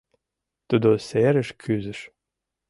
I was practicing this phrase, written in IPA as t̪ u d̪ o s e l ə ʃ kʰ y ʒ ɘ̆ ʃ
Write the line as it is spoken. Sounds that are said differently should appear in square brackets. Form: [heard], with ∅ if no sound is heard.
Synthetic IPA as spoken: t̪ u d̪ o s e [ɾ] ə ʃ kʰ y [z] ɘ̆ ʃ